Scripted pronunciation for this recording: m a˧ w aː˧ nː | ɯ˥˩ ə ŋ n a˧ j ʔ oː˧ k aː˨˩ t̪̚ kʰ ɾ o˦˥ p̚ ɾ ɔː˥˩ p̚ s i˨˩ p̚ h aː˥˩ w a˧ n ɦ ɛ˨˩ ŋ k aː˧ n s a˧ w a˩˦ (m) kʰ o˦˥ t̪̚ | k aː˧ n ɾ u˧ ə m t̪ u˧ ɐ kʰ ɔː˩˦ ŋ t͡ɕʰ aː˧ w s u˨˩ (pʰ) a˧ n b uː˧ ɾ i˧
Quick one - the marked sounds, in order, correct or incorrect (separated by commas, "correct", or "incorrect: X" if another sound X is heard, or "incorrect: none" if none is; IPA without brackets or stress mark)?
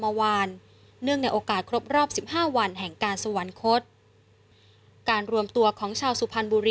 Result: incorrect: n, correct